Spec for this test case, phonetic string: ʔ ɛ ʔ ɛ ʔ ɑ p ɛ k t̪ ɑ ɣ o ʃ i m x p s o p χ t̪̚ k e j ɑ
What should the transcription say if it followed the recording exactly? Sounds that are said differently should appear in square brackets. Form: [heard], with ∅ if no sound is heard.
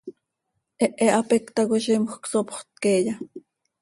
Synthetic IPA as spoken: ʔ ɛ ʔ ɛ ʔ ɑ p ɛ k t̪ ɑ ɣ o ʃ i m x [k] s o p χ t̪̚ k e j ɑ